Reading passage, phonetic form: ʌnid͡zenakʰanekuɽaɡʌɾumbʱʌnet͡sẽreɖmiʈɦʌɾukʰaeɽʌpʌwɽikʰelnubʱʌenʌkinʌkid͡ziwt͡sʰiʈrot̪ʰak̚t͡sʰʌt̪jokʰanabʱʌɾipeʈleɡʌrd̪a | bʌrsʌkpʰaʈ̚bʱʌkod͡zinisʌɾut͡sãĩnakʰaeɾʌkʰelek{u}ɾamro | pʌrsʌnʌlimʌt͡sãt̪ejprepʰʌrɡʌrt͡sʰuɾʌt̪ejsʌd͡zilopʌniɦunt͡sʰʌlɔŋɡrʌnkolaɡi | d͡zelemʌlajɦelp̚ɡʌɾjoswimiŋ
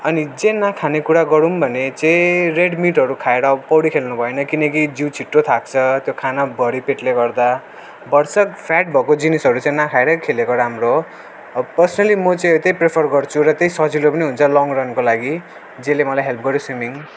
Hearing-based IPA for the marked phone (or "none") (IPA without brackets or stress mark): o